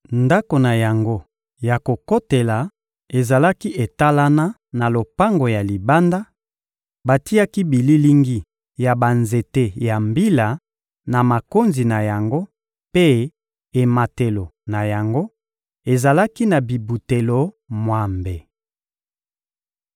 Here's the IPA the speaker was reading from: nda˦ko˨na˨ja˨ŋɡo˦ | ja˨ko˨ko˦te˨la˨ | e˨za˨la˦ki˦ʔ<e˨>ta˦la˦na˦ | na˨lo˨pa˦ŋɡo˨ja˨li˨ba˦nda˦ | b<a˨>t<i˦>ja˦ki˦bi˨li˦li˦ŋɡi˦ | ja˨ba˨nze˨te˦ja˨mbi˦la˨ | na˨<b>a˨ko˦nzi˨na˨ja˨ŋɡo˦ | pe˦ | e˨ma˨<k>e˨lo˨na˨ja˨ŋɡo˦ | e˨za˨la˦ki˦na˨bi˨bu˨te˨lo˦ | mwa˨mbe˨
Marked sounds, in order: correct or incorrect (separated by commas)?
correct, correct, correct, incorrect, incorrect